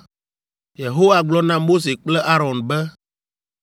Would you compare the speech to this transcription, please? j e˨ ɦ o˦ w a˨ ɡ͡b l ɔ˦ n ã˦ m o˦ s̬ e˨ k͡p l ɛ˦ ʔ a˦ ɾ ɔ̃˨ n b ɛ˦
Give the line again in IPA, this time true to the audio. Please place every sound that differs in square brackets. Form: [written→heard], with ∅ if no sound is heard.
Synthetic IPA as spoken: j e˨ ɦ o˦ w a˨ ɡ͡b l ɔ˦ n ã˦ m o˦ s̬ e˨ k͡p l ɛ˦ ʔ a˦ ɾ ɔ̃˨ n b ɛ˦